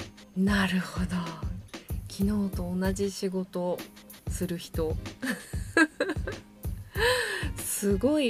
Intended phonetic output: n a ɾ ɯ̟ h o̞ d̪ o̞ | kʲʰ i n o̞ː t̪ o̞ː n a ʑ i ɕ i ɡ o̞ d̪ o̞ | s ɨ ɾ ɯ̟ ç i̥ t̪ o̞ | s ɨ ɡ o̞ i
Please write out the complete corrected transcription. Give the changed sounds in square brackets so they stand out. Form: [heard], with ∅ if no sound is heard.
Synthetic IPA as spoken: n a ɾ ɯ̟ h o̞ d̪ o̞ | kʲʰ i n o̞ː t̪ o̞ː n a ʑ i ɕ i ɡ o̞ [t̪] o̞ | s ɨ ɾ ɯ̟ ç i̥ t̪ o̞ | s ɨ ɡ o̞ i